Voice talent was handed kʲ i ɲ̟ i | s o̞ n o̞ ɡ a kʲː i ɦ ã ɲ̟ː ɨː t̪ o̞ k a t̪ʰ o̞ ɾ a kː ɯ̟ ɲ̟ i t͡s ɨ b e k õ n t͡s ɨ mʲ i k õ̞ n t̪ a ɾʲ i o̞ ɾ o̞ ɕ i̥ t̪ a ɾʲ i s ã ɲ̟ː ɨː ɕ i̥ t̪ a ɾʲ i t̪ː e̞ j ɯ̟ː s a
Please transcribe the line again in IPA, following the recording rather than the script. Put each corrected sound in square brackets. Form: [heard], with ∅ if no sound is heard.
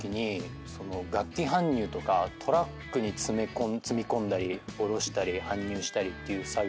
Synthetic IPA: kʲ i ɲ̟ i | s o̞ n o̞ ɡ a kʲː i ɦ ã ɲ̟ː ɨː t̪ o̞ k a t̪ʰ o̞ ɾ a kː ɯ̟ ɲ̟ i t͡s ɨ [m] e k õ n t͡s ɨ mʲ i k õ̞ n [d̪] a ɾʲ i o̞ ɾ o̞ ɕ i̥ t̪ a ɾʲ i [h] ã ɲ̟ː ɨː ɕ i̥ t̪ a ɾʲ i t̪ː e̞ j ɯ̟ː s a